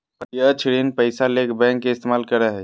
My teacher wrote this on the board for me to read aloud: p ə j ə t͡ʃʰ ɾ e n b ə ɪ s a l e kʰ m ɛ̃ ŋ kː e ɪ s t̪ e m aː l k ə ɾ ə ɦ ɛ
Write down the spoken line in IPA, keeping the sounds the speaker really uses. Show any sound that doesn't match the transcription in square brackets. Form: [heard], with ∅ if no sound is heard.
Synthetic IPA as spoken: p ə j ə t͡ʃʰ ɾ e n [p] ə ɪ s a l e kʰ [b] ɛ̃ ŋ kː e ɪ s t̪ e m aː l k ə ɾ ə ɦ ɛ